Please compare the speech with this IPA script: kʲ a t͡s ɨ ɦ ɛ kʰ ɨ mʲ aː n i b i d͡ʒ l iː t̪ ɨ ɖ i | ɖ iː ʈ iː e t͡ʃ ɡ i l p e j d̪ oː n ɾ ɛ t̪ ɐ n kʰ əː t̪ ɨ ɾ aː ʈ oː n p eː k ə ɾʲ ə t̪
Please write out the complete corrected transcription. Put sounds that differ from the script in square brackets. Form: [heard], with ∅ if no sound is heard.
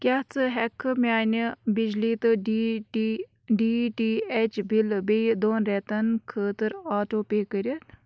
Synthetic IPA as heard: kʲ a t͡s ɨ ɦ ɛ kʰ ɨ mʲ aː n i b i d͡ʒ l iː t̪ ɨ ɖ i | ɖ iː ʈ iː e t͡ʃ [b] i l [b] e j d̪ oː n ɾ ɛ t̪ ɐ n kʰ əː t̪ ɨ ɾ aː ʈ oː [∅] p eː k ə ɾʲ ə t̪